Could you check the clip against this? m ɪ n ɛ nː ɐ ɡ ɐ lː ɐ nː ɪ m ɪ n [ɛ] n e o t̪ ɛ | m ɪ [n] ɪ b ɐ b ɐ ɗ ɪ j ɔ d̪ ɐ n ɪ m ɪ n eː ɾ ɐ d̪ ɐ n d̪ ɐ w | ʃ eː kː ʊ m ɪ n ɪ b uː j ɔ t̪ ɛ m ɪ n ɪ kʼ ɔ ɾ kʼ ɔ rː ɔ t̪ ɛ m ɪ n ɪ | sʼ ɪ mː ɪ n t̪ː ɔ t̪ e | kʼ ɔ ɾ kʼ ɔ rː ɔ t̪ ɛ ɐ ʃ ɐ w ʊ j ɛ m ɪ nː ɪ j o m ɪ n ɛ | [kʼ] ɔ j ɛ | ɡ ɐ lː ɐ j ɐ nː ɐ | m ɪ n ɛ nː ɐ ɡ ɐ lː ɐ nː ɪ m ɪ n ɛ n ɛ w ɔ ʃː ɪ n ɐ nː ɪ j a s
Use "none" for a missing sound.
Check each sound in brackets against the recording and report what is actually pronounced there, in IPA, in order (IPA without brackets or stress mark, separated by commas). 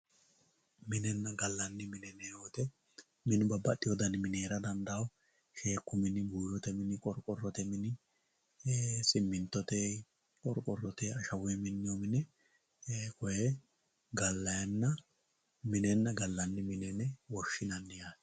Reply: ɛ, n, k